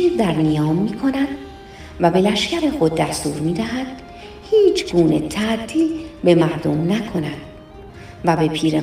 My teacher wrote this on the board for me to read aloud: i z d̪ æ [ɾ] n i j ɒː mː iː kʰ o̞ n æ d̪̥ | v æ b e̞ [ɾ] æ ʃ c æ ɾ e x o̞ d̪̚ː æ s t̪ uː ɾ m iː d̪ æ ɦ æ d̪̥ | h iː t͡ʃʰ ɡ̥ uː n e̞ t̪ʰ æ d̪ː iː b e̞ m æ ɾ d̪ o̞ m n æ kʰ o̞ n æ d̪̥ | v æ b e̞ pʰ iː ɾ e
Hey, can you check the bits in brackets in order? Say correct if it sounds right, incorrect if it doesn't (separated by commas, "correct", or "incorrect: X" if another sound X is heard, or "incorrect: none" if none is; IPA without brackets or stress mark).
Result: correct, incorrect: l